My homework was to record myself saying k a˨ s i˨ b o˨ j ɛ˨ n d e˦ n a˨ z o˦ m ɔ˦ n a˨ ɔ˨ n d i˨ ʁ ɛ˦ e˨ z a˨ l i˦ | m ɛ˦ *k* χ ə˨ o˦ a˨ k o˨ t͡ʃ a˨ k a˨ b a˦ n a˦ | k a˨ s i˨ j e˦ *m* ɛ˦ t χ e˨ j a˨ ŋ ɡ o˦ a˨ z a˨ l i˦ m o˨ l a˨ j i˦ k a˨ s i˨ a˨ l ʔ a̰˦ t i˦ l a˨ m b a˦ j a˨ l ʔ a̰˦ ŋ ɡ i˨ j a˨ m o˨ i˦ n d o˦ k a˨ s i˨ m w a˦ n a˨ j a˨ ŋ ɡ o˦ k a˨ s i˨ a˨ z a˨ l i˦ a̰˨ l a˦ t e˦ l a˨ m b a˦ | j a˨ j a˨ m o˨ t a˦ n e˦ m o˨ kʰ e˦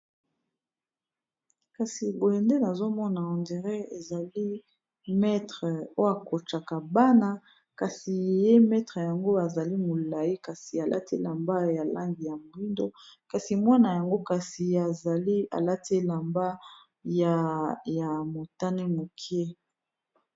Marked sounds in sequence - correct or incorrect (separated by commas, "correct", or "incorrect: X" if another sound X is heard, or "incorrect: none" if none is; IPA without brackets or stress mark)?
incorrect: t, correct